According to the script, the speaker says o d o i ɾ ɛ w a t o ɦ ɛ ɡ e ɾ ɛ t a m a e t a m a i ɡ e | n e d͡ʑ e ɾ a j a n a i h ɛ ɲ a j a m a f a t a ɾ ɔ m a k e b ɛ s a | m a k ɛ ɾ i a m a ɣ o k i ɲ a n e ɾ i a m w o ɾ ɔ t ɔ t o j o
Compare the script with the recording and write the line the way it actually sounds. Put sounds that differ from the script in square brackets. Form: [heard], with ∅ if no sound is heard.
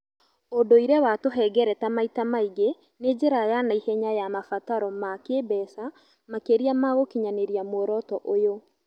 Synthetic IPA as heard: o d o i ɾ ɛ w a t o ɦ ɛ ɡ [ɛ] ɾ ɛ t a m a [i] t a m a i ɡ e | n e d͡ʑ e ɾ a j a n a i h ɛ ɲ a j a m a f a t a ɾ ɔ m a k e b ɛ s a | m a k [e] ɾ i a m a ɣ o k i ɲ a n e ɾ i a m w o ɾ ɔ t ɔ [ʔ] o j o